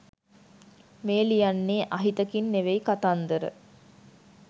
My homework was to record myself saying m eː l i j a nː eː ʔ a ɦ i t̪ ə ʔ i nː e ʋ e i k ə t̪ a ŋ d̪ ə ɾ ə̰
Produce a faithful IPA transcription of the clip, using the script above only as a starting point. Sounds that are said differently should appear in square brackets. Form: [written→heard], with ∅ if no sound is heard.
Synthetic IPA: m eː l i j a nː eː ʔ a ɦ i t̪ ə [ʔ→k] i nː e ʋ e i k [ə→a] t̪ a [ŋ→n] d̪ ə ɾ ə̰